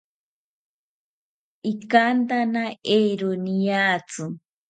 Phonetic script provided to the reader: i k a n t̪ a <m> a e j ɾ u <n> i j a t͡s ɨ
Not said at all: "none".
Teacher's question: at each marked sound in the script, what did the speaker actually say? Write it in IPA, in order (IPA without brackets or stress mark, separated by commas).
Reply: n, n